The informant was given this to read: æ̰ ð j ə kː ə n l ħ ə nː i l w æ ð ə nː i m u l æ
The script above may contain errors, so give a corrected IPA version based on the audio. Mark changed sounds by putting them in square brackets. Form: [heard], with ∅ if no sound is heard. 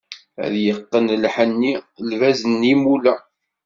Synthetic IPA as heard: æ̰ ð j ə [qː] ə n l ħ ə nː i l [v] æ [z] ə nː i m u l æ